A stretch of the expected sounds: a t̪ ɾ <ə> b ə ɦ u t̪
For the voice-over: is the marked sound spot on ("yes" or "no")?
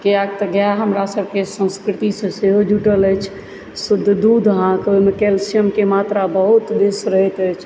no